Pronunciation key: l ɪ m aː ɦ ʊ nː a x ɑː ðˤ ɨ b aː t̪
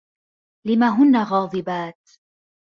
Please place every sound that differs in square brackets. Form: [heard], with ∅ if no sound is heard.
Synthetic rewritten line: l ɪ m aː ɦ ʊ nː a [ɣ] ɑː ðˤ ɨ b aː t̪